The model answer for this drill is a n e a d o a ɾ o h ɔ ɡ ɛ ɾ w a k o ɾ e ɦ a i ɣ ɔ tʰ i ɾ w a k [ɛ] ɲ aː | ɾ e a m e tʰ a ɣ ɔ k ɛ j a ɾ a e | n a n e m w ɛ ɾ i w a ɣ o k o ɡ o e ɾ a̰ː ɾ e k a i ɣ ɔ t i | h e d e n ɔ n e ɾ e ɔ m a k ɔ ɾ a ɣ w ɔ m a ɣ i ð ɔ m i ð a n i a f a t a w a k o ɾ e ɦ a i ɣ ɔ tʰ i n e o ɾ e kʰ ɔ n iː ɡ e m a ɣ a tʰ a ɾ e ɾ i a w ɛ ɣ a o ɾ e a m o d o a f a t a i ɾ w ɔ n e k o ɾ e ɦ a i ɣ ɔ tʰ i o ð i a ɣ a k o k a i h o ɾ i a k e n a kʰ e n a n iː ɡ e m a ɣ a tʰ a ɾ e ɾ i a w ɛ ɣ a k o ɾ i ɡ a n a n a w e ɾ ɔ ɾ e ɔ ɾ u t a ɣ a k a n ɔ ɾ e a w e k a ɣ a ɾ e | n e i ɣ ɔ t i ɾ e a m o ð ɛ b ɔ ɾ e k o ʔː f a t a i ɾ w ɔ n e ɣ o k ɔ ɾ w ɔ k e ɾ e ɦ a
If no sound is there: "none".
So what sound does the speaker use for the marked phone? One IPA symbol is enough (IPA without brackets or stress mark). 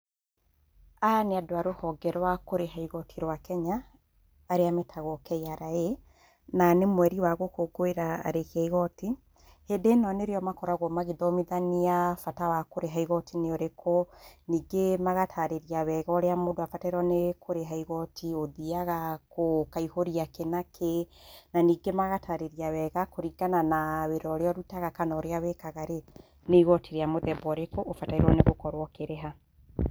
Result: ɛ